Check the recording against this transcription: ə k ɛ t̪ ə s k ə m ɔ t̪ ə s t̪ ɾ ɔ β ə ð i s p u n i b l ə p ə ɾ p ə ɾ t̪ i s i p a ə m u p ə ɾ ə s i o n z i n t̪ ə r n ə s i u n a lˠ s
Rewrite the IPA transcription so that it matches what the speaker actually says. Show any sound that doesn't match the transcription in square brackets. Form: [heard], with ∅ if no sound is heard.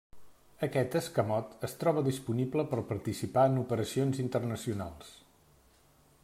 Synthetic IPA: ə k ɛ t̪ ə s k ə m ɔ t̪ ə s t̪ ɾ ɔ β ə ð i s p u n i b l ə p ə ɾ p ə ɾ t̪ i s i p a ə [n] u p ə ɾ ə s i o n z i n t̪ ə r n ə s i u n a lˠ s